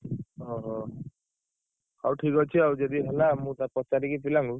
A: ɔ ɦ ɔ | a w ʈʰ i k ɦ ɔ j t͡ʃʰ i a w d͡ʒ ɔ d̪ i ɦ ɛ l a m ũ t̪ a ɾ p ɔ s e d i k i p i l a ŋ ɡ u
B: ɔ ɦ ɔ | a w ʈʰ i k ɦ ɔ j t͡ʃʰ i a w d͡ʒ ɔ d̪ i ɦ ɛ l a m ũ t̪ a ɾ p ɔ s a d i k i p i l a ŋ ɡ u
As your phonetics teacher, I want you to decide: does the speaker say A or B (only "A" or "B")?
B